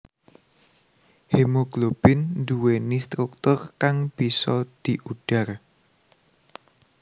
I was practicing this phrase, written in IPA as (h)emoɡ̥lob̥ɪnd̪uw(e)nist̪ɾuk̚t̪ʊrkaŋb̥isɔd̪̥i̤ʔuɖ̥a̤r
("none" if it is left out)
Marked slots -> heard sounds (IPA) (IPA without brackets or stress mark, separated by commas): h, e